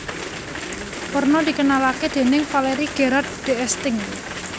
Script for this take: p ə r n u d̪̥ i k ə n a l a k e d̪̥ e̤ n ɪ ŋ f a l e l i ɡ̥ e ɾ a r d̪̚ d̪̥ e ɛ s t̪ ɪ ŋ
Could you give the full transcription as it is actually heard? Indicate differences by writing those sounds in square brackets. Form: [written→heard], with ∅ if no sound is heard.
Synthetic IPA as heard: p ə r n [u→ɔ] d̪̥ i k ə n a l a k e d̪̥ e̤ n ɪ ŋ f a l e [l→ɾ] i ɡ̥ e ɾ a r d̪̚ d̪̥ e ɛ s t̪ ɪ ŋ